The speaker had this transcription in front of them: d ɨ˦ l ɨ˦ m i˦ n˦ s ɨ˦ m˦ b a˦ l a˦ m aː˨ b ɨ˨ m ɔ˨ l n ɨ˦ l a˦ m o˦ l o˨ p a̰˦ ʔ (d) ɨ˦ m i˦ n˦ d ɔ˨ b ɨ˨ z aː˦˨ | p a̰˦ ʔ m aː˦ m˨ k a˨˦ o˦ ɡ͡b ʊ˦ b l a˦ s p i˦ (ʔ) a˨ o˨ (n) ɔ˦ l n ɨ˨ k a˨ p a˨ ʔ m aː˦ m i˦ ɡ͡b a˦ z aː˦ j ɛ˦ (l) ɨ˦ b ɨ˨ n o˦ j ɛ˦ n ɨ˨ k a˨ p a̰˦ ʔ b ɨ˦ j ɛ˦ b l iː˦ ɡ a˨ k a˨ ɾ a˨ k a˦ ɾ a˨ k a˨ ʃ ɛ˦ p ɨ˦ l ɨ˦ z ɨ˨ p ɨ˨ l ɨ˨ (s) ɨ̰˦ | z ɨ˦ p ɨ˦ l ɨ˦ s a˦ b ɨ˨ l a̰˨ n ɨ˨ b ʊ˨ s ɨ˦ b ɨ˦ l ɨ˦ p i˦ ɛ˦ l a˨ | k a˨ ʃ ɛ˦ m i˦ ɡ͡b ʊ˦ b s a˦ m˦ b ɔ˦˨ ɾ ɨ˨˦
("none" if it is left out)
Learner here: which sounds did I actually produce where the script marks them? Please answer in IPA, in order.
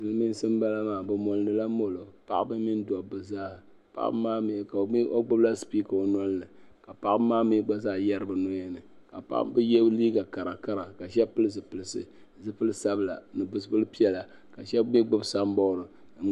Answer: b, k, n, ɾ, s

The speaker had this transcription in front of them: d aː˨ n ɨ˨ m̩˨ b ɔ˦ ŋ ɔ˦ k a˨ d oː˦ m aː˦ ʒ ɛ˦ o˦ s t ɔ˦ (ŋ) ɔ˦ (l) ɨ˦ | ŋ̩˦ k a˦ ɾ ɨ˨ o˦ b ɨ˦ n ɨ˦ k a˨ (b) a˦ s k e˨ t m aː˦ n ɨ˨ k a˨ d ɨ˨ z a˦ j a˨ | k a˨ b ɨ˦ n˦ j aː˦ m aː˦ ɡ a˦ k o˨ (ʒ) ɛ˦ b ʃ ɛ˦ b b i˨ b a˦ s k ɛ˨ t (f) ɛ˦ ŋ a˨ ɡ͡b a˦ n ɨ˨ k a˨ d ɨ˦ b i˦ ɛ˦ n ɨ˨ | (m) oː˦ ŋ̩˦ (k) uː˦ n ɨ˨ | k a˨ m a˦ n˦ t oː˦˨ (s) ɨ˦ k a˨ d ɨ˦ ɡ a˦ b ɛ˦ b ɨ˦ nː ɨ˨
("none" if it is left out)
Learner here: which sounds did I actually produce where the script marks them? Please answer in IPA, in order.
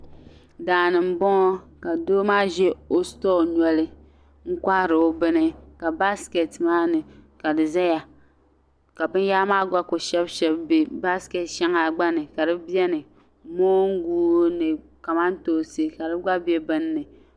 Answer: ɲ, l, b, ʃ, ʃ, m, ɡ, s

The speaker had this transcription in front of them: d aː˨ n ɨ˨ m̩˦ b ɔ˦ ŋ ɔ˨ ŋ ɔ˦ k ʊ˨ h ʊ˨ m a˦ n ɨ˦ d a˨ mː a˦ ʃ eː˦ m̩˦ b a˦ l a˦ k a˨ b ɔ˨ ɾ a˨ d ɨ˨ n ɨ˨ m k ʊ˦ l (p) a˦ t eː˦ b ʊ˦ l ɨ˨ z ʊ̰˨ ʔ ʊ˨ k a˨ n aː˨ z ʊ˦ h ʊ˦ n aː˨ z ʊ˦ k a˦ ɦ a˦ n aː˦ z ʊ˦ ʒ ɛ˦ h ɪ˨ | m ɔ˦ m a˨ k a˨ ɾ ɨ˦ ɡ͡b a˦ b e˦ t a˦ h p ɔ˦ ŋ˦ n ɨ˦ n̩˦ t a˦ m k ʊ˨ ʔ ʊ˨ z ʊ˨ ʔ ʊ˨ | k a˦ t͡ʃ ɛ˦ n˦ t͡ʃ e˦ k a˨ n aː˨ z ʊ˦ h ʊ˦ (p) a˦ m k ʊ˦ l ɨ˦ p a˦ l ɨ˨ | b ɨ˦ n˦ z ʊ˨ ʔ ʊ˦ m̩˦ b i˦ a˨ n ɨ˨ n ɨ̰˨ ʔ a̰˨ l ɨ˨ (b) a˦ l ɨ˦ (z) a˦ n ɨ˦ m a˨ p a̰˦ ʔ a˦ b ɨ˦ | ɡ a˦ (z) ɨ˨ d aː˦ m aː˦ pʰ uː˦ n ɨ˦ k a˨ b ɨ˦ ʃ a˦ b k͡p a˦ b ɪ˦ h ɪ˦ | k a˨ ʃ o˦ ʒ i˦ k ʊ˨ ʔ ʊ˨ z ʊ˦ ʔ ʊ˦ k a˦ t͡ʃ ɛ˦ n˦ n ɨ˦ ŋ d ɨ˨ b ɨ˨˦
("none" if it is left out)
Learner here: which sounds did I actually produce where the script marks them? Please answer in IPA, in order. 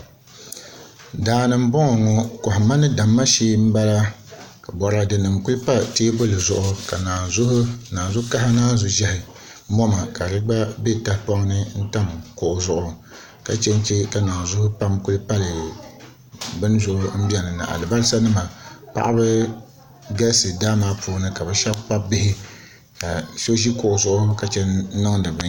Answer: p, p, b, s, s

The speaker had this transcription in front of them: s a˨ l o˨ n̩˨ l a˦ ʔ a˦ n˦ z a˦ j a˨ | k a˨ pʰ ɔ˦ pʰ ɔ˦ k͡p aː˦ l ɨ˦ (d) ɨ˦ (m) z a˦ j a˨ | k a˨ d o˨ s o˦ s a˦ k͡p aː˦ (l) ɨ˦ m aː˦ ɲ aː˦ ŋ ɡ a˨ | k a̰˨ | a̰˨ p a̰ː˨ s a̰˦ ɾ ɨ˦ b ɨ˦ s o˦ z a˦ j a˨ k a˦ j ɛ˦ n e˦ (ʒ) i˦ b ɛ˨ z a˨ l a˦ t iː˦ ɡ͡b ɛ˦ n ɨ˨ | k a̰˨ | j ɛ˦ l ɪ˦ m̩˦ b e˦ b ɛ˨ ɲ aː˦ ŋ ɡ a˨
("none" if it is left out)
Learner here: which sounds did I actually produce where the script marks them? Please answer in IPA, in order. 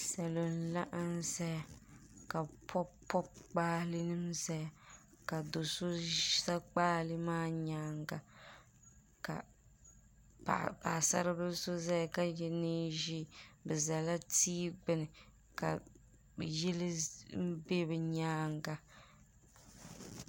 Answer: n, m, l, ʒ

